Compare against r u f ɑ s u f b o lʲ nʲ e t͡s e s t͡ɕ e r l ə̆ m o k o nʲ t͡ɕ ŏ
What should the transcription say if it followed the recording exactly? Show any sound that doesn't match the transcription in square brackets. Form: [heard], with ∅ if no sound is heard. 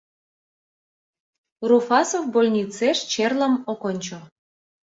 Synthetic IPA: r u f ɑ s [o] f b o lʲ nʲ [i] t͡s e [ʃ] t͡ɕ e r l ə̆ m o k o nʲ t͡ɕ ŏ